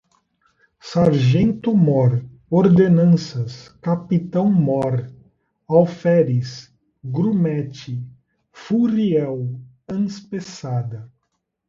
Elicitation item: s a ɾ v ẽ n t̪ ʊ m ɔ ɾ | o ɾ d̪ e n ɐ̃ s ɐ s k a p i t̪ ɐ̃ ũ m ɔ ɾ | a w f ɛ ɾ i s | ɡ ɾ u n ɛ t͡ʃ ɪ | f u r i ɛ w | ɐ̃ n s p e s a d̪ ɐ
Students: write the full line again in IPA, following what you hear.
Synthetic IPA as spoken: s a ɾ ʒ ẽ n t̪ ʊ m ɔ ɾ | o ɾ d̪ e n ɐ̃ s ɐ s k a p i t̪ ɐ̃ w̃ m ɔ ɾ | a w f ɛ ɾ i s | ɡ ɾ u m ɛ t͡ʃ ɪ | f u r i ɛ w | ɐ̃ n s p e s a d̪ ɐ